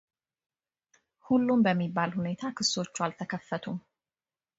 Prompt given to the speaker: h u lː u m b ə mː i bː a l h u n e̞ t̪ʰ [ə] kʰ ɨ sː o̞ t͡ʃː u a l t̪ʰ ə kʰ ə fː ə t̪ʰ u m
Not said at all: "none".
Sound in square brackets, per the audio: a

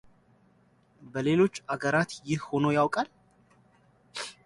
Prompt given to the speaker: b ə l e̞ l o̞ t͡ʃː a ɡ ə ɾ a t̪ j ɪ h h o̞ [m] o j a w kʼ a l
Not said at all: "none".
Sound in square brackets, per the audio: n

